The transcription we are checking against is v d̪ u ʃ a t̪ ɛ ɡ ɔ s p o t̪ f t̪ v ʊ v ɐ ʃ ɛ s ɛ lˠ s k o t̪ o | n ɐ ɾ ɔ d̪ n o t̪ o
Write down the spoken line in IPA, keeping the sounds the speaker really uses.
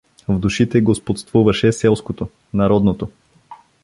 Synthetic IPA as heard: v d̪ u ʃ i t̪ ɛ ɡ o s p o t̪ s t̪ v u v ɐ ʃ ɛ s ɛ lˠ s k o t̪ o | n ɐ ɾ ɔ d̪ n o t̪ o

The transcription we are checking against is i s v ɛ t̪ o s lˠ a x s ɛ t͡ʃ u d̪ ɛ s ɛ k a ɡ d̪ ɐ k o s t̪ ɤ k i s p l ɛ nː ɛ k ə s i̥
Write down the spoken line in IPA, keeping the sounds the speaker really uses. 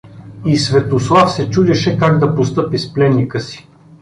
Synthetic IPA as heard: i s v ɛ t̪ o s lˠ a f s ɛ t͡ʃ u d̪ ɛ ʃ ɛ k a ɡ d̪ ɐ p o s t̪ ɤ p i s p l ɛ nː i k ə s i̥

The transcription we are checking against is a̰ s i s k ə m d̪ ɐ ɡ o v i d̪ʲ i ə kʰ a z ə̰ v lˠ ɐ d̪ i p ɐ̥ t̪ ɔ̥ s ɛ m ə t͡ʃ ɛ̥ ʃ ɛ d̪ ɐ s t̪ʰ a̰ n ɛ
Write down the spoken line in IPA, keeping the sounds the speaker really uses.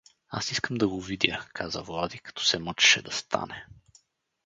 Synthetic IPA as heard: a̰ s i s k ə m d̪ ɐ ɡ o v i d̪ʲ j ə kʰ a z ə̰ v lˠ a d̪ i k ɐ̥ t̪ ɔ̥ s ɛ m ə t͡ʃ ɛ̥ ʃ ɛ d̪ ɐ s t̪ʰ a̰ n ɛ

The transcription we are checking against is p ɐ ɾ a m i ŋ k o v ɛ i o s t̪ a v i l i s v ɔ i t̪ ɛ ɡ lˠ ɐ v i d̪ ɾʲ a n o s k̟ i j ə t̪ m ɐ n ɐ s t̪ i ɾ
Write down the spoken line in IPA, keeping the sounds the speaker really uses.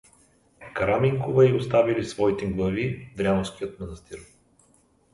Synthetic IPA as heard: k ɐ ɾ a m i ŋ k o v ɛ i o s t̪ a v i l i s v ɔ i t̪ ɛ ɡ lˠ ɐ v i d̪ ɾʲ a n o s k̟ i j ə t̪ m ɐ n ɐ s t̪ i ɾ

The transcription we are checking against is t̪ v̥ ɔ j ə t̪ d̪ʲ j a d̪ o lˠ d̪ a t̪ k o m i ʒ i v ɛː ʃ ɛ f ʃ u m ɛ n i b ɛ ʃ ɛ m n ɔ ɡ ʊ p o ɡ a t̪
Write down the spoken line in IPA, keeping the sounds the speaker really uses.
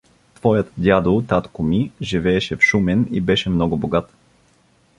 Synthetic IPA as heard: t̪ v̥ ɔ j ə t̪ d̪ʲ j a d̪ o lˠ t̪ a t̪ k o m i ʒ i v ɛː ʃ ɛ f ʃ u m ɛ n i b ɛ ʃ ɛ m n ɔ ɡ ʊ b o ɡ a t̪

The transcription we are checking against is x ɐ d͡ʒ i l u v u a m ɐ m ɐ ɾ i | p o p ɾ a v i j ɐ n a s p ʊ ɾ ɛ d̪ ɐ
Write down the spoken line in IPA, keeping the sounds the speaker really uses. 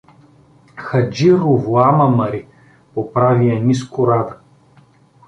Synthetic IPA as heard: x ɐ d͡ʒ i ɾ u v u a m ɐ m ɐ ɾ i | p o p ɾ a v i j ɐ n i s k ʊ ɾ a d̪ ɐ

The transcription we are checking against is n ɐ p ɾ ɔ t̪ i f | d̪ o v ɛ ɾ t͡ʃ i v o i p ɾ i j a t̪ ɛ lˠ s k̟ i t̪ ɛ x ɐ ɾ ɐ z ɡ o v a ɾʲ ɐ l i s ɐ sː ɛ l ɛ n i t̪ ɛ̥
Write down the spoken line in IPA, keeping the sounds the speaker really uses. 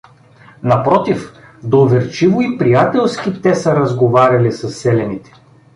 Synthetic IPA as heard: n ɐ p ɾ ɔ t̪ i f | d̪ o v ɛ ɾ t͡ʃ i v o i p ɾ i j a t̪ ɛ lˠ s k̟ i t̪ ɛ s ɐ ɾ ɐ z ɡ o v a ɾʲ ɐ l i s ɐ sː ɛ l ɛ n i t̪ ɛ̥

